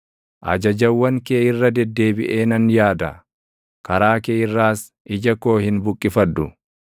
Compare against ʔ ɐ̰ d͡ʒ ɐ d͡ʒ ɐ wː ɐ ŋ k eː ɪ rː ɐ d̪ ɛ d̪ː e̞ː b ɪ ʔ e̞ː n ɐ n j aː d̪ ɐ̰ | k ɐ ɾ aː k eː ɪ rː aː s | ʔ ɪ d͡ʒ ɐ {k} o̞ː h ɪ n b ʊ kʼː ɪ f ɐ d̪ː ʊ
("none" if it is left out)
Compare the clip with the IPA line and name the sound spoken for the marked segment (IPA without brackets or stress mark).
k